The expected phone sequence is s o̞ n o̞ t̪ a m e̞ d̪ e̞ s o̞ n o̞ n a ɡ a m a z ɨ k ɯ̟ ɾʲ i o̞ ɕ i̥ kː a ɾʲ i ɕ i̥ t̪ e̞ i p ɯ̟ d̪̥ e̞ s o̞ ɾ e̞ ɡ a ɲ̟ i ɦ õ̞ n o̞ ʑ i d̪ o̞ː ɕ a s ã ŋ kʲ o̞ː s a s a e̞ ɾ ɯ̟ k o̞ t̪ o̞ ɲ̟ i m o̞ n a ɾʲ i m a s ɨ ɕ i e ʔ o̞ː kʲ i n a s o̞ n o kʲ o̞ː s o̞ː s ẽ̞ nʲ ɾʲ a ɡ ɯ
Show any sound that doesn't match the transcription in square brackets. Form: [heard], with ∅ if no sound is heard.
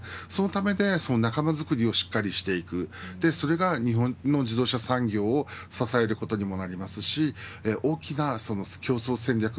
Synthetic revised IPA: s o̞ n o̞ t̪ a m e̞ d̪ e̞ s o̞ n o̞ n a [k] a m a z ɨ k ɯ̟ ɾʲ i o̞ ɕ i̥ kː a ɾʲ i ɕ i̥ t̪ e̞ i [k] ɯ̟ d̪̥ e̞ s o̞ ɾ e̞ ɡ a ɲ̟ i ɦ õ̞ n o̞ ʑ i d̪ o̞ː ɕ a s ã ŋ [ɡʲ] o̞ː s a s a e̞ ɾ ɯ̟ k o̞ t̪ o̞ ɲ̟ i m o̞ n a ɾʲ i m a s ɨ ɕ i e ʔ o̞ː kʲ i n a s o̞ n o kʲ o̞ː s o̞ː s ẽ̞ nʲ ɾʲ a [k] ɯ

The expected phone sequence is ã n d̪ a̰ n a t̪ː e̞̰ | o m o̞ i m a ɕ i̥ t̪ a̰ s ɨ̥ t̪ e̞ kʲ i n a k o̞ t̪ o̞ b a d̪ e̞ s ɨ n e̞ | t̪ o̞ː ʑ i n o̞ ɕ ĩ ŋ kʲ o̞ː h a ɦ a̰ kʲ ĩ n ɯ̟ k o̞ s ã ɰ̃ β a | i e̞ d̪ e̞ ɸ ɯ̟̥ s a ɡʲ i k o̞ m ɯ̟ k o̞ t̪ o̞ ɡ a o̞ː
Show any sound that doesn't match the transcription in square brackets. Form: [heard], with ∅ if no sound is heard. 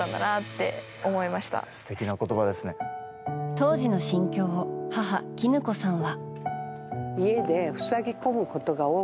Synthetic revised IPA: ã n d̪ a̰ n a t̪ː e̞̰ | o m o̞ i m a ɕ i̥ t̪ a̰ s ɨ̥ t̪ e̞ kʲ i n a k o̞ t̪ o̞ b a d̪ e̞ s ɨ n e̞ | t̪ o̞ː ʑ i n o̞ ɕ ĩ ŋ kʲ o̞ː h a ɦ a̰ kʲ [i] n ɯ̟ k o̞ s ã ɰ̃ β a | i e̞ d̪ e̞ ɸ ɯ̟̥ s a ɡʲ i k o̞ m ɯ̟ k o̞ t̪ o̞ ɡ a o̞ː

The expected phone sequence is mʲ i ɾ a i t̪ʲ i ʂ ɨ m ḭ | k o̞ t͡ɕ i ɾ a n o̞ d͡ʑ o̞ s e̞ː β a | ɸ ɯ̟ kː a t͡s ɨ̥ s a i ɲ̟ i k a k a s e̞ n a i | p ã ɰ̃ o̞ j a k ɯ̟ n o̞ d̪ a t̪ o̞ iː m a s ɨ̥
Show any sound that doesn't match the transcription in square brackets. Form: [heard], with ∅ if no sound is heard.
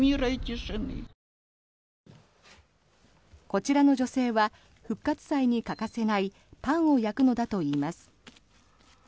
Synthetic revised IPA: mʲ i ɾ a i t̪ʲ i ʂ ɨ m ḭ | k o̞ t͡ɕ i ɾ a n o̞ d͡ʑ o̞ s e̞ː β a | ɸ ɯ̟ kː a t͡s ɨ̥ s a i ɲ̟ i k a k a s e̞ n a i | p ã ɰ̃ o̞ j a k ɯ̟ n o̞ d̪ a t̪ o̞ iː m a s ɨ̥

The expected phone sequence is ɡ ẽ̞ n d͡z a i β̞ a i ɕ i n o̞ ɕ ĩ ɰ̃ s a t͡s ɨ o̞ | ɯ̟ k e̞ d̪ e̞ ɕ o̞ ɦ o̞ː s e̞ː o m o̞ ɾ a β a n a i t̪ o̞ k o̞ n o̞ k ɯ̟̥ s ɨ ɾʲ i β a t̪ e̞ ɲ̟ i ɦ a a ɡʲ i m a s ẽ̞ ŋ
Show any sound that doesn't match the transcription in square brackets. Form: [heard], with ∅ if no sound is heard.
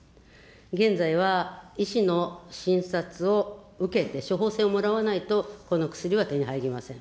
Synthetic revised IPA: ɡ ẽ̞ n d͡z a i β̞ a i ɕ i n o̞ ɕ ĩ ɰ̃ s a t͡s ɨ o̞ | ɯ̟ k e̞ [t̪] e̞ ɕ o̞ ɦ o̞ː s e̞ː o m o̞ ɾ a β a n a i t̪ o̞ k o̞ n o̞ k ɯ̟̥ s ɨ ɾʲ i β a t̪ e̞ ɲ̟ i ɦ a [i] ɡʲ i m a s ẽ̞ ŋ

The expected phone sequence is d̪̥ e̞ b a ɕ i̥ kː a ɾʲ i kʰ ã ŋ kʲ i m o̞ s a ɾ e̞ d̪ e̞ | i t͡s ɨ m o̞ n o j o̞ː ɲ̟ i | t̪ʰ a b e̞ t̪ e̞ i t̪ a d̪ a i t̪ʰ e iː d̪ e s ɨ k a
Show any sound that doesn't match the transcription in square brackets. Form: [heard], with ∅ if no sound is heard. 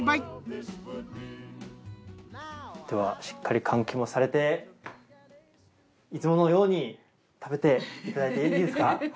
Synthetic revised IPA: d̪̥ e̞ [β] a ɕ i̥ kː a ɾʲ i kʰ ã ŋ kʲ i m o̞ s a ɾ e̞ [t̪] e̞ | i t͡s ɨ m o̞ n o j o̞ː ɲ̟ i | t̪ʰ a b e̞ t̪ e̞ i t̪ a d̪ a i [t̪] e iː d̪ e s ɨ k a

